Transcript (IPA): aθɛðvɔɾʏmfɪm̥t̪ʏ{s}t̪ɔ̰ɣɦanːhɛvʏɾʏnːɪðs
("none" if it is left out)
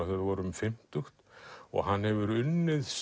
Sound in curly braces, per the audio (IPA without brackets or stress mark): x